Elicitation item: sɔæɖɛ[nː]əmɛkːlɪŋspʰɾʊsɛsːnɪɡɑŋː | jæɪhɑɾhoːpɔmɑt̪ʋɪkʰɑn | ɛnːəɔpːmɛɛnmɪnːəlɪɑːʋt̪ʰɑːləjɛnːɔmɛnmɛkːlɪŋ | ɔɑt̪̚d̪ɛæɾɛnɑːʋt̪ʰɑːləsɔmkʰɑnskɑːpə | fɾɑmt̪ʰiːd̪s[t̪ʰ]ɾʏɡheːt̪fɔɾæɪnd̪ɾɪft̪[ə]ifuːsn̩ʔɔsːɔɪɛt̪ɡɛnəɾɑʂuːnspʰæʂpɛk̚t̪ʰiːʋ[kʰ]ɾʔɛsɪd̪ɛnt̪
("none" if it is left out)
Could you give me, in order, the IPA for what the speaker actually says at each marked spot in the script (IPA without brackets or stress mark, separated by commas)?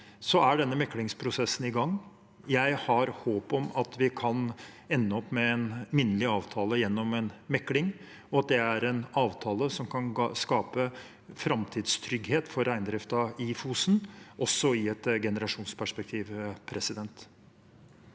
nː, t̪ʰ, ɑ, pʰ